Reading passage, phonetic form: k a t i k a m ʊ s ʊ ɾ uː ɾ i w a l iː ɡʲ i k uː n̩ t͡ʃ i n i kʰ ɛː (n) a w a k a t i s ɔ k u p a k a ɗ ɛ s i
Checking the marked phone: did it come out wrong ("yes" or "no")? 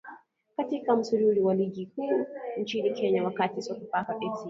yes